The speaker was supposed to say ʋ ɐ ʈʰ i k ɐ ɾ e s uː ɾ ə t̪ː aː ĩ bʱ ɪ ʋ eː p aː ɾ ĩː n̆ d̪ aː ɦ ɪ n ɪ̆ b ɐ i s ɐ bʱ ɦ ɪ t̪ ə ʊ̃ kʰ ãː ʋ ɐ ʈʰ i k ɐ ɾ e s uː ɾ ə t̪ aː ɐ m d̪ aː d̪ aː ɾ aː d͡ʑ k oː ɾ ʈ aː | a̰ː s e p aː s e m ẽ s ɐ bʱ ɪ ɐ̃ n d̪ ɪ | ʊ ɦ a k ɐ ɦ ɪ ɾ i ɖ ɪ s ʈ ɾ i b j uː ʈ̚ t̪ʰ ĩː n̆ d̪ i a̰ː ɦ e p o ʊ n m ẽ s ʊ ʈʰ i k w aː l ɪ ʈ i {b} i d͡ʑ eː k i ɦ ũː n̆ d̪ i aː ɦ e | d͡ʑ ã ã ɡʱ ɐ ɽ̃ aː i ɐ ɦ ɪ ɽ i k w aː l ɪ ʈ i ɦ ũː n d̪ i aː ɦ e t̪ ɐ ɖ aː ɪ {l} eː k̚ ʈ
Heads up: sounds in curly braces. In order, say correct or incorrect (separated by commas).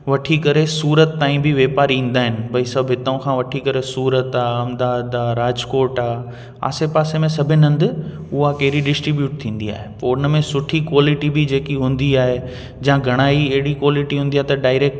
correct, incorrect